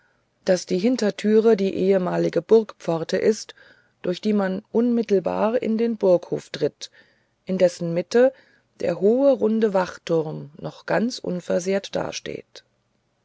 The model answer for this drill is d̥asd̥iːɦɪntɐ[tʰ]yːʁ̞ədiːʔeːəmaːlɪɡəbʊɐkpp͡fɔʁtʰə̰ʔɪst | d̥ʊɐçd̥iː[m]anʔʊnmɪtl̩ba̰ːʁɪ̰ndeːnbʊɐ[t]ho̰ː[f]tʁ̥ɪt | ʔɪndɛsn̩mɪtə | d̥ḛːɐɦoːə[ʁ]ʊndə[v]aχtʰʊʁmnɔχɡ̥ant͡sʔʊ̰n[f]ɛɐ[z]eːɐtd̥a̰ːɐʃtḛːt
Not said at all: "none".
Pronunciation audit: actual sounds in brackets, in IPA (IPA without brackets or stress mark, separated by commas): tʰ, m, k, f, ʁ, v, f, z